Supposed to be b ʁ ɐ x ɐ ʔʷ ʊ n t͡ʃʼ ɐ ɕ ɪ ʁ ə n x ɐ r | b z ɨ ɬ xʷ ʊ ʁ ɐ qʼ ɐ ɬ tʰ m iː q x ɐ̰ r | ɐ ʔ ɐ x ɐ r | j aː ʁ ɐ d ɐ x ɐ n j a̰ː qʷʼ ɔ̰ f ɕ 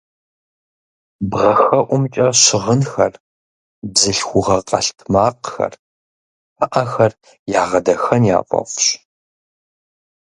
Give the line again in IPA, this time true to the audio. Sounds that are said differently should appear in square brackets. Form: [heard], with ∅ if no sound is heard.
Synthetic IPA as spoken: b ʁ ɐ x ɐ ʔʷ ʊ [m] t͡ʃʼ ɐ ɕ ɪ ʁ ə n x ɐ r | b z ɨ ɬ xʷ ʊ ʁ ɐ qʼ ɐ ɬ tʰ m [aː] q x ɐ̰ r | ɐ ʔ ɐ x ɐ r | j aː ʁ ɐ d ɐ x ɐ n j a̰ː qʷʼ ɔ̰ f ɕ